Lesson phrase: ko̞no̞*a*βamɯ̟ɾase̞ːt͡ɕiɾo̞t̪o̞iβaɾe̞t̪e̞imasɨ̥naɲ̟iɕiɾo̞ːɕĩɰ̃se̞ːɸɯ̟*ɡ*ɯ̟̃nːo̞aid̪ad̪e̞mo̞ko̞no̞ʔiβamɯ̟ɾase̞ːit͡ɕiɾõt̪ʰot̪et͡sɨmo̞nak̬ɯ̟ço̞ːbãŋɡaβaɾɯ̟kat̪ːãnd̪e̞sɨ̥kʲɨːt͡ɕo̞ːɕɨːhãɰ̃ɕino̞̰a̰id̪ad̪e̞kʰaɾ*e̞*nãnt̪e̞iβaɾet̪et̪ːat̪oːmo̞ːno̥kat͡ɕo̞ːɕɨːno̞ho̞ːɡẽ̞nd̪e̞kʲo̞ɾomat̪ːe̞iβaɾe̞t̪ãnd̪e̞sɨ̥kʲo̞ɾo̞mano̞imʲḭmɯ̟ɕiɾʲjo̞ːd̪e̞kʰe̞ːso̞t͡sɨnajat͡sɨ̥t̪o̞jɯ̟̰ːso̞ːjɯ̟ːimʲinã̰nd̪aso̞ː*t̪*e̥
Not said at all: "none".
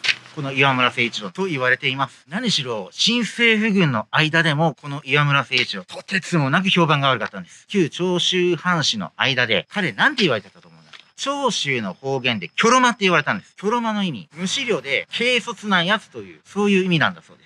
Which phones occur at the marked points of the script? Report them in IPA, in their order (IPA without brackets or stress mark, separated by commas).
i, ɡ, e̞, d̪